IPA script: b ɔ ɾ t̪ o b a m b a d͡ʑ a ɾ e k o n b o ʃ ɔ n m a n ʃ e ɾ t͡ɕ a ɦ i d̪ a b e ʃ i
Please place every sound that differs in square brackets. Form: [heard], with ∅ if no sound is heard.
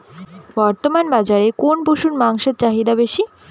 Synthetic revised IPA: b ɔ ɾ t̪ o [m] a [n] b a d͡ʑ a ɾ e k o n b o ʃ [u] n m a [ŋ] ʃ e ɾ t͡ɕ a ɦ i d̪ a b e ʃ i